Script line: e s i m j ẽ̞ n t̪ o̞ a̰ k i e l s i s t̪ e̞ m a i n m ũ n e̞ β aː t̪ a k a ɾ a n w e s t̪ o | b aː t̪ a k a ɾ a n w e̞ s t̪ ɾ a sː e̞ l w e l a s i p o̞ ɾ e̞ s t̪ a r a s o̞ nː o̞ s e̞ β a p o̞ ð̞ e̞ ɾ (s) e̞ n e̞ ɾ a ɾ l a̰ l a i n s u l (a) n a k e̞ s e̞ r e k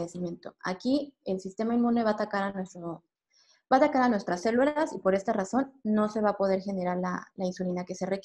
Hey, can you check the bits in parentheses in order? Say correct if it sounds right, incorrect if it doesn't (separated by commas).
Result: incorrect, incorrect